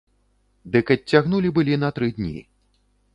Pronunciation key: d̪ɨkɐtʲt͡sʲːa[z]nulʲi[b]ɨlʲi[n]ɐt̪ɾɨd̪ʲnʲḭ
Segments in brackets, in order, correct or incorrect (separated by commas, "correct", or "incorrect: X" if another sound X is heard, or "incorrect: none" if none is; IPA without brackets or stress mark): incorrect: ɣ, correct, correct